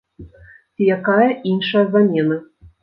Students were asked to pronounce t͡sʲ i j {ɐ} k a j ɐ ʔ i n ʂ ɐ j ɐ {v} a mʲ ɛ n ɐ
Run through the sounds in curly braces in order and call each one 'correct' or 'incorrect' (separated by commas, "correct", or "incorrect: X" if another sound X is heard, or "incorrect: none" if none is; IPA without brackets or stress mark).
incorrect: a, incorrect: z